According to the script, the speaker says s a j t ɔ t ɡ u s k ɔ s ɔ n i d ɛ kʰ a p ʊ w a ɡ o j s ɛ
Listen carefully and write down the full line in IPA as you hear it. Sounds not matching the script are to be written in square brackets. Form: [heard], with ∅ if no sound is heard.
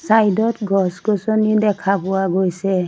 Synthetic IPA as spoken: s a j [d] ɔ t ɡ [ɔ] s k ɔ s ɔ n i d ɛ kʰ a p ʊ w a ɡ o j s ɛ